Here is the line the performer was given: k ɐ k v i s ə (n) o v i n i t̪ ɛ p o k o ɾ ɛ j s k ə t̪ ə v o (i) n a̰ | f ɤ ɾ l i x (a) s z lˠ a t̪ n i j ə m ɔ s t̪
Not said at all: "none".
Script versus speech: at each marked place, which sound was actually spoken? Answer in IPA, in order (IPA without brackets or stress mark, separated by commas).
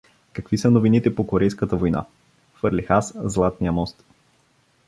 n, j, a